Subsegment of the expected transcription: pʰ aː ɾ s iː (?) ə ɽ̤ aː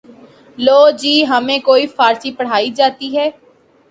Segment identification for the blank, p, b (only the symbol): p